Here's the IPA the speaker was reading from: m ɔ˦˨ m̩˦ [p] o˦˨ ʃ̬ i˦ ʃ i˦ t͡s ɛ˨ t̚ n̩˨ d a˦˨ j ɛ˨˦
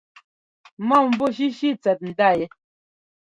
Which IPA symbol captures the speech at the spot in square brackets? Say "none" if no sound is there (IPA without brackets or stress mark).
b